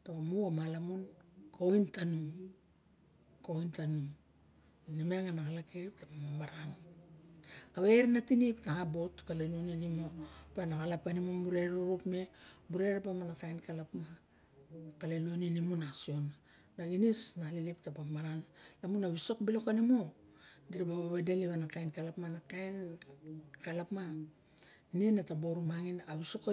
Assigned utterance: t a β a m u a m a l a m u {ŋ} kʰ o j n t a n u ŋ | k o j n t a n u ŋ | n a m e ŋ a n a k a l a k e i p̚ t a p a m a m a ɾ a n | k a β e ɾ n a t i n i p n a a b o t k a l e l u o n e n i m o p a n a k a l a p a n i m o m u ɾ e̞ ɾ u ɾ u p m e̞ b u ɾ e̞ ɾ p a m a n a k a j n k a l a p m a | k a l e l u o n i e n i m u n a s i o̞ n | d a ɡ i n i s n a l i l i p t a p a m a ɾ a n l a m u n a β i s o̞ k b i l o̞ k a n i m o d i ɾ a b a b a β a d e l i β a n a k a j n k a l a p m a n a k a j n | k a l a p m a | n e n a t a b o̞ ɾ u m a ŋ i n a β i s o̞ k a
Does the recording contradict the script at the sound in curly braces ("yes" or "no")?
yes